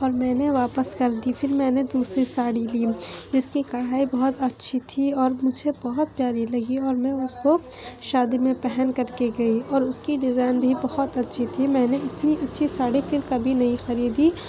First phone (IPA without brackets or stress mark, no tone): ɔː